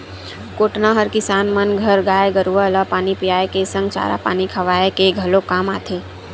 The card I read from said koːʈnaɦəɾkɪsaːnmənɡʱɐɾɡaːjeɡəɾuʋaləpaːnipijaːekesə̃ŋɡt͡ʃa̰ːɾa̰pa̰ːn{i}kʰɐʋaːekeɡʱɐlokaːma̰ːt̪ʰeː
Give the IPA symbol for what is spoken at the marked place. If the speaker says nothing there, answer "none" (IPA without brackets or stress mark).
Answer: i